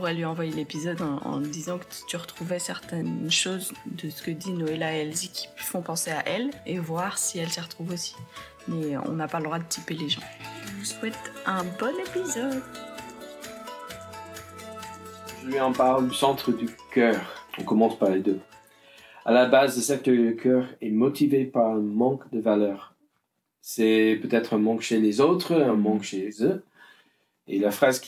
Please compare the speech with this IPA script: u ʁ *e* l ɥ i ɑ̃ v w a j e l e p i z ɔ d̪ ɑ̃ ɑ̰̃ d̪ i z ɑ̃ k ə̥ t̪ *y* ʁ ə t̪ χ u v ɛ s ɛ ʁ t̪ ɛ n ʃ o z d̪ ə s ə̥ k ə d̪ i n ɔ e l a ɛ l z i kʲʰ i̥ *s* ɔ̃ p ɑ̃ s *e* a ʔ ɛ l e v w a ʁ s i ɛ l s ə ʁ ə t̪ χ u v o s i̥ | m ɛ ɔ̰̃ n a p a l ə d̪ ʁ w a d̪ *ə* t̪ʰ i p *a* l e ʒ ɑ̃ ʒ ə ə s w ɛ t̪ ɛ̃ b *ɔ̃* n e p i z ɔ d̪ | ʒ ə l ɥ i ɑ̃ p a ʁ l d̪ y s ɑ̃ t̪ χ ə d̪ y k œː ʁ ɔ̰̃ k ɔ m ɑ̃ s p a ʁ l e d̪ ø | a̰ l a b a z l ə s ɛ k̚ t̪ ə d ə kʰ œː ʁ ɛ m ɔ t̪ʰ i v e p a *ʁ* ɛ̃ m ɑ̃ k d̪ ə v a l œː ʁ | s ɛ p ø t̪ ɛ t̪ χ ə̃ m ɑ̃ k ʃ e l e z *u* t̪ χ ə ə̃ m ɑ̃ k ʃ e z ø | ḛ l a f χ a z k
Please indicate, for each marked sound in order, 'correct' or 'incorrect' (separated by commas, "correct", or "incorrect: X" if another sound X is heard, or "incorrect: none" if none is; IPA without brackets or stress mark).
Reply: incorrect: ɛ, correct, incorrect: f, correct, correct, incorrect: e, incorrect: ɔ, correct, incorrect: o